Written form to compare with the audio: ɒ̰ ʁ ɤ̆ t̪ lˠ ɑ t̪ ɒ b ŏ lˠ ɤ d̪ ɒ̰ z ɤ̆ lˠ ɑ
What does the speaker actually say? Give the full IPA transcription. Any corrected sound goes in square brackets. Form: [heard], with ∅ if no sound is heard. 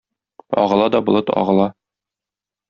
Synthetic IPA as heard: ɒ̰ ʁ ɤ̆ [∅] lˠ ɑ [d̪] ɒ b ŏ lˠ ɤ [t̪] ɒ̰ [ʁ] ɤ̆ lˠ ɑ